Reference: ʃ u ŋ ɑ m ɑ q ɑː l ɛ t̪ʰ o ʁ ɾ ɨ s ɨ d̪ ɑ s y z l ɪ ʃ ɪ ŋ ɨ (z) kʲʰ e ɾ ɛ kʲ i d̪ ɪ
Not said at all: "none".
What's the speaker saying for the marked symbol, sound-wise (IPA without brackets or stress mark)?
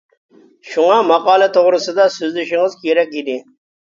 z